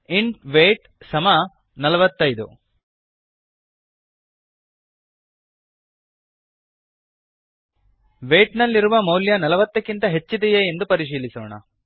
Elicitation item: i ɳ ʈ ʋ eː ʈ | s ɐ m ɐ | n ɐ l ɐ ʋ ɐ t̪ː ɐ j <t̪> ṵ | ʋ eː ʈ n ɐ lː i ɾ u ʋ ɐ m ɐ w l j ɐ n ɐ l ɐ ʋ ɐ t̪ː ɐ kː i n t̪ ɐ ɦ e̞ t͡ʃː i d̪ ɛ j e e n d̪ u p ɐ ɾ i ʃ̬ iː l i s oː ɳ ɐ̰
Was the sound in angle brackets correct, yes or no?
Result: no